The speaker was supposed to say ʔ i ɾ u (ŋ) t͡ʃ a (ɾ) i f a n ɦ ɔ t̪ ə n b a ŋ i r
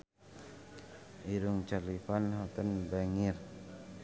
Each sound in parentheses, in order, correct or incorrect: correct, incorrect: l

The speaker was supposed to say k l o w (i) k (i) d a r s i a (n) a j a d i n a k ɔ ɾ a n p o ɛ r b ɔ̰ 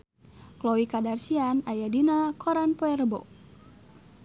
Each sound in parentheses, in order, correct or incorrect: correct, incorrect: a, correct

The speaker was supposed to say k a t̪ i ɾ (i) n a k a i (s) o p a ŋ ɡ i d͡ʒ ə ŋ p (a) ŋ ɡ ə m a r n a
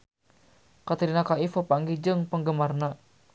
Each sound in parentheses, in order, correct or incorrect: correct, incorrect: f, incorrect: ə

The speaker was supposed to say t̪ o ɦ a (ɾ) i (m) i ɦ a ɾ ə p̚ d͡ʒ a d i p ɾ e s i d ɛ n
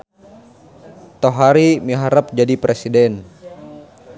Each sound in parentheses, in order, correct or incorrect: correct, correct

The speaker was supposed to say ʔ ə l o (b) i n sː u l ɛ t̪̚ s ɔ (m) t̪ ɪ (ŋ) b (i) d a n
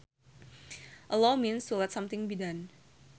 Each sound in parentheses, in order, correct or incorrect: incorrect: m, correct, correct, correct

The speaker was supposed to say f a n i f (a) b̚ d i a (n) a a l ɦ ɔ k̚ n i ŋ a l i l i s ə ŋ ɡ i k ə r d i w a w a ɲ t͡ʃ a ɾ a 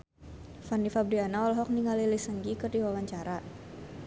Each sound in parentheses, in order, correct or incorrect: correct, correct

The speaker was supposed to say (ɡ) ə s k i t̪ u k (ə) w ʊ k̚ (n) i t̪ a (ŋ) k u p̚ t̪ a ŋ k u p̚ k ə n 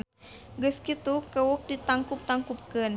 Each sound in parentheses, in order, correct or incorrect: correct, correct, incorrect: d, correct

